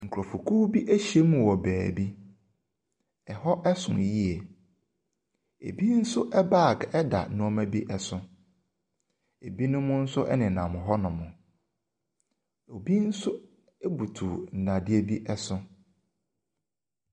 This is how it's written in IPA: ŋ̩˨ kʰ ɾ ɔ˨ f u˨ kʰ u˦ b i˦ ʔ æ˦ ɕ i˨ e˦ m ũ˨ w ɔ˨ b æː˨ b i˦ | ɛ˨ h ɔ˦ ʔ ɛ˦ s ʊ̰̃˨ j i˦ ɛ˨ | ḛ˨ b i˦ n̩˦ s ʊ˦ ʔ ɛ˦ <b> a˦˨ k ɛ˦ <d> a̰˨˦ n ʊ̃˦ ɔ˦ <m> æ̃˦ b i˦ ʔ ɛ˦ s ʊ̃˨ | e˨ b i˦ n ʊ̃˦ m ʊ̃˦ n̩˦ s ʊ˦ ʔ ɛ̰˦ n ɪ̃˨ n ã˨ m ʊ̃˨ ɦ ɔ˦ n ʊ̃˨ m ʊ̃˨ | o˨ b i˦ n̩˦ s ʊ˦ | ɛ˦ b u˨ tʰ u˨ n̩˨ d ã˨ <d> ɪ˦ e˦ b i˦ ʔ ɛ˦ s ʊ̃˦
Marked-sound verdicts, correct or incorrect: correct, correct, correct, correct

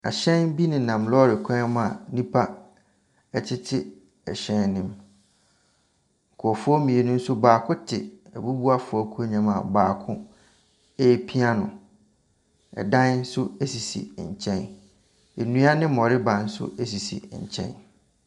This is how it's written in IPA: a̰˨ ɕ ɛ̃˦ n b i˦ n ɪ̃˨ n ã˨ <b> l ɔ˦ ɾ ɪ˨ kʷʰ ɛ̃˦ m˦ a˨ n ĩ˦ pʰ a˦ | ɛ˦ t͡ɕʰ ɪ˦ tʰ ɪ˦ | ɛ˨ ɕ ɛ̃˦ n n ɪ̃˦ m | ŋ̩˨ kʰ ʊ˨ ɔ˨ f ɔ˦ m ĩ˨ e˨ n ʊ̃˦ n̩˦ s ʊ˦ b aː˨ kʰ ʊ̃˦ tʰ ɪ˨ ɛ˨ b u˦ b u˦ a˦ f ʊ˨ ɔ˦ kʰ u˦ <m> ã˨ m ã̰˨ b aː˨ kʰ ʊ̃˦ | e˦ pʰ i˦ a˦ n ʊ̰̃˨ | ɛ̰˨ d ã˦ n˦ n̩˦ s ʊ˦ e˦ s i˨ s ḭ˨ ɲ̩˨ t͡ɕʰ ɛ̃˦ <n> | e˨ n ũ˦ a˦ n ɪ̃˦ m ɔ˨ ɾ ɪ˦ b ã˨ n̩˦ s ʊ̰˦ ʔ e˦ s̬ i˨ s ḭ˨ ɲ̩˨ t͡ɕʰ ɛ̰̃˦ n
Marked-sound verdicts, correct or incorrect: incorrect: m, incorrect: ɲ, correct

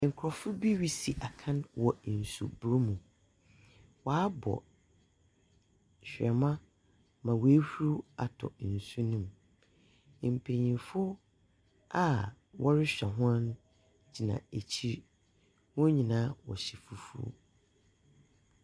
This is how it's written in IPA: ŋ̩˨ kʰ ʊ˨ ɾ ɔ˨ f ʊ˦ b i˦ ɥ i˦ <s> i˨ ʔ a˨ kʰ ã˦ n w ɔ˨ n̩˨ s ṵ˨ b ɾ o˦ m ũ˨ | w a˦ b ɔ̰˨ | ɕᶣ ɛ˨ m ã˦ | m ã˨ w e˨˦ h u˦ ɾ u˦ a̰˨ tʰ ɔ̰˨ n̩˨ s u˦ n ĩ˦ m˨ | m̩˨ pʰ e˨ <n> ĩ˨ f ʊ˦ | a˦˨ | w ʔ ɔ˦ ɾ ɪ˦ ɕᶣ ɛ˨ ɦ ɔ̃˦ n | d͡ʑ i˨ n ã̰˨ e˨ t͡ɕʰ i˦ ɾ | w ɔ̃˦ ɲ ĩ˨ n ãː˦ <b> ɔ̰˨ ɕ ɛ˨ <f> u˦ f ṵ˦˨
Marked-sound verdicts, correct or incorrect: correct, incorrect: ɲ, incorrect: w, correct

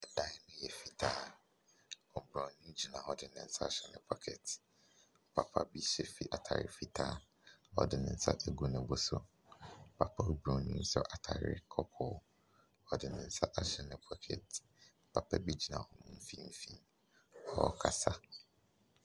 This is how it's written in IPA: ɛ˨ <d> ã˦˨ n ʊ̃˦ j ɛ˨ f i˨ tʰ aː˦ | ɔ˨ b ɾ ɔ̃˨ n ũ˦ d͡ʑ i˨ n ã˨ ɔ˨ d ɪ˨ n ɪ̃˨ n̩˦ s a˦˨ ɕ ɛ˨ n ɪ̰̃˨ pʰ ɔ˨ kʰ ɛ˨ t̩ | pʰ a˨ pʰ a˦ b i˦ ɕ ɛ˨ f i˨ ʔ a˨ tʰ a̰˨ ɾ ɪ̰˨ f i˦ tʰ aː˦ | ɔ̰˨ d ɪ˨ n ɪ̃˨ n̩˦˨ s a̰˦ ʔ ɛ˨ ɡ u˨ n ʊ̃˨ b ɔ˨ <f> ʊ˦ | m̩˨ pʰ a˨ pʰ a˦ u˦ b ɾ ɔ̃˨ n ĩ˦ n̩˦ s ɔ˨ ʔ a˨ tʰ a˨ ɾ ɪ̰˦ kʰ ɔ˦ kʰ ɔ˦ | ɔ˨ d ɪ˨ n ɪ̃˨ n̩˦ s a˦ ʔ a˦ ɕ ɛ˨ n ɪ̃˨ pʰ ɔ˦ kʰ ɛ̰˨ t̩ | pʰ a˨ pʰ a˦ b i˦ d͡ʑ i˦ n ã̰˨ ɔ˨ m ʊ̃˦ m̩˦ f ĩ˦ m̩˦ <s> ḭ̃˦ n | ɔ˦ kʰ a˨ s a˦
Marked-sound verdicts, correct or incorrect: correct, incorrect: s, incorrect: f

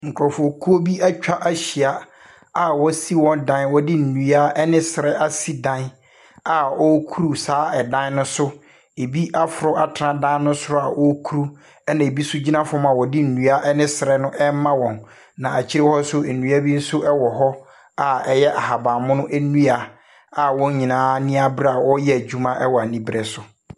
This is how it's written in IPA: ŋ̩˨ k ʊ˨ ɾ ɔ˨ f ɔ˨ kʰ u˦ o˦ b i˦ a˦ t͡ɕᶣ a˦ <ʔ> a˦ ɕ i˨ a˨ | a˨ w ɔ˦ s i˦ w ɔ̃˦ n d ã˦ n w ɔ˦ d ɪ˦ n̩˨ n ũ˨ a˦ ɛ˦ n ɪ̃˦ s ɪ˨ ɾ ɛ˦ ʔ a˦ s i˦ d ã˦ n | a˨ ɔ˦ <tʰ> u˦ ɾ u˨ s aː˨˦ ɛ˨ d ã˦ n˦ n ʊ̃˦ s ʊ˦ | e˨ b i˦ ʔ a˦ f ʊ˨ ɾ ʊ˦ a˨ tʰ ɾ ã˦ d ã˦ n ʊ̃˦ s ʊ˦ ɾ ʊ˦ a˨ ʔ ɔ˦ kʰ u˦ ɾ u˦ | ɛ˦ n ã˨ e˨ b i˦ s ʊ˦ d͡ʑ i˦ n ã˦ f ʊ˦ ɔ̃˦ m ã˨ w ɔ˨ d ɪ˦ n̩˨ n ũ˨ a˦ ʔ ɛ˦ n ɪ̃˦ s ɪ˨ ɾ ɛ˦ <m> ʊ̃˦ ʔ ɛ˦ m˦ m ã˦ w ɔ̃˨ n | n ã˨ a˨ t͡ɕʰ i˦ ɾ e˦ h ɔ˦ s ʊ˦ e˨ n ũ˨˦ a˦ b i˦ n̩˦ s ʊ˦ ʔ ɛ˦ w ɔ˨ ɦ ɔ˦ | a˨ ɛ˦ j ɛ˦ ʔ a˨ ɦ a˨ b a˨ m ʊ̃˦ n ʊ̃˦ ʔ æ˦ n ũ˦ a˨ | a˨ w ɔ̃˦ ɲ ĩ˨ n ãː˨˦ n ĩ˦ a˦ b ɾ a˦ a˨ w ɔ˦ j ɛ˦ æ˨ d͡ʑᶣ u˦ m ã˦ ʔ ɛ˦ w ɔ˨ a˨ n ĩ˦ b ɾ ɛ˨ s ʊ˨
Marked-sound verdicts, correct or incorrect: correct, incorrect: kʰ, incorrect: n

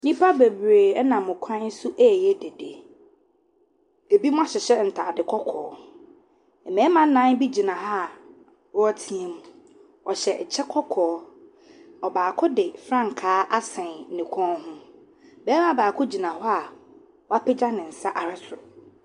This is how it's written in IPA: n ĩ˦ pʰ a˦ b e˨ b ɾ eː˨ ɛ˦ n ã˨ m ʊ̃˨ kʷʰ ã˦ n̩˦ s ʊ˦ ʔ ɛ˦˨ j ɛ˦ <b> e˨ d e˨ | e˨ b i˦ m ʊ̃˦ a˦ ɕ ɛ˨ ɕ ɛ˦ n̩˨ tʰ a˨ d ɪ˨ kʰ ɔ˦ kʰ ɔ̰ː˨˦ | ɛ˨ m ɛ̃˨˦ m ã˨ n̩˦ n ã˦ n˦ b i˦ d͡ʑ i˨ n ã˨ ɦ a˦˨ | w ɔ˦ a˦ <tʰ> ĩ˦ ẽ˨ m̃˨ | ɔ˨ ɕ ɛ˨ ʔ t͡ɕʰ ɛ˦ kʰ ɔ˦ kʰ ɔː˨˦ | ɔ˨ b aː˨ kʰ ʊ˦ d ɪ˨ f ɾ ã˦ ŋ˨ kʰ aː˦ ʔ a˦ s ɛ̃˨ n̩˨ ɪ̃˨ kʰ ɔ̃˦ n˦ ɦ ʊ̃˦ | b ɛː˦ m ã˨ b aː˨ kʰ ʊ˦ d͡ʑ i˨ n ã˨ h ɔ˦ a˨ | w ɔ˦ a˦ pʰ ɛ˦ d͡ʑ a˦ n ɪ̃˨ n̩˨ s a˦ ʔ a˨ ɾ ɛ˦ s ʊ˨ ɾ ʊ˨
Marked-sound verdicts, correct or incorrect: incorrect: d, correct

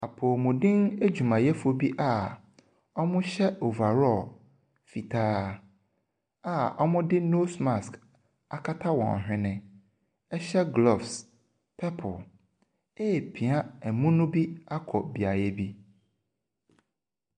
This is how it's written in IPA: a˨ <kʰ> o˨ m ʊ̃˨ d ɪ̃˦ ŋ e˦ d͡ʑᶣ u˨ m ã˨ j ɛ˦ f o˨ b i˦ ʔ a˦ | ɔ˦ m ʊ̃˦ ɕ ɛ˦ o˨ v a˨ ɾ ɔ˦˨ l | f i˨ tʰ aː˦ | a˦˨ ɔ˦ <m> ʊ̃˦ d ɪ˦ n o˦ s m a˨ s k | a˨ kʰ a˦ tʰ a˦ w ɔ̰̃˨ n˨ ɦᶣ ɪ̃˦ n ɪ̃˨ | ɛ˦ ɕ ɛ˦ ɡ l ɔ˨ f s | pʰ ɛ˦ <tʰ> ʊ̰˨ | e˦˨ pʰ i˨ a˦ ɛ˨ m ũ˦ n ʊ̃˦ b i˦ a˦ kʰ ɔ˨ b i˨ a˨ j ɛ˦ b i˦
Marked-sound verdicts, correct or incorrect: incorrect: pʰ, correct, incorrect: pʰ

